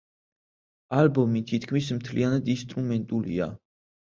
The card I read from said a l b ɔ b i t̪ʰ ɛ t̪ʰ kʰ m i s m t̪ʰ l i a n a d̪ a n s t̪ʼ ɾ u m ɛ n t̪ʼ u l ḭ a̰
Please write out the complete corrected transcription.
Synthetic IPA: a l b ɔ m i t̪ʰ i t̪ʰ kʰ m i s m t̪ʰ l i a n a d̪ i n s t̪ʼ ɾ u m ɛ n t̪ʼ u l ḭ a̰